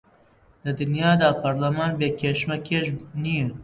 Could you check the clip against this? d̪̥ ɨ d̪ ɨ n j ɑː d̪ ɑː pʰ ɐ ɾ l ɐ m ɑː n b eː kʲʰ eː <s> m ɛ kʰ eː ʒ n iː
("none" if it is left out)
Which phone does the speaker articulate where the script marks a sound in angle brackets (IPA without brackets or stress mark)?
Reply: ʃ